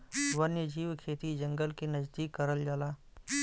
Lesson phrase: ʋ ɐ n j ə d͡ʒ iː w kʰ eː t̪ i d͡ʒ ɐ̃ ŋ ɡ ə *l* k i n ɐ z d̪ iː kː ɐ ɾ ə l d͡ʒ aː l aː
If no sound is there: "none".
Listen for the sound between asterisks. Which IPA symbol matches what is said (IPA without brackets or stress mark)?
l